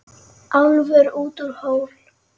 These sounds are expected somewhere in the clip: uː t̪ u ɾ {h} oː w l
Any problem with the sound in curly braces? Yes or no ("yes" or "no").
no